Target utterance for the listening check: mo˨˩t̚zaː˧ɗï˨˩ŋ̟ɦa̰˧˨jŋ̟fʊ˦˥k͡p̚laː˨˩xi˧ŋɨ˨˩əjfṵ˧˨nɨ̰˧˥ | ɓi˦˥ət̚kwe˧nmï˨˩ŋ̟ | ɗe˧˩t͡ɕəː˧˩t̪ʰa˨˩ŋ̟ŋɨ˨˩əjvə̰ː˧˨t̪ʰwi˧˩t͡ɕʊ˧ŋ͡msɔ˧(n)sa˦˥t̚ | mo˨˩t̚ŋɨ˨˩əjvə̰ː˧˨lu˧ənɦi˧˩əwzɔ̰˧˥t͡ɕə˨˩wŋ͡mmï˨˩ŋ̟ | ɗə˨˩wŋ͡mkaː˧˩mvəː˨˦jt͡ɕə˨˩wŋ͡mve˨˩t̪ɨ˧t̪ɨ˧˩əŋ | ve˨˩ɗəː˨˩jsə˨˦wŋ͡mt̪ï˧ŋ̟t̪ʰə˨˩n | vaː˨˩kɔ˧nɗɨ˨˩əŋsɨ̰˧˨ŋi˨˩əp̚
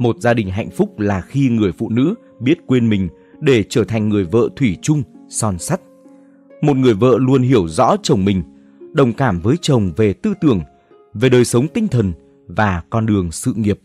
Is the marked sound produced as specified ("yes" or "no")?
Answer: yes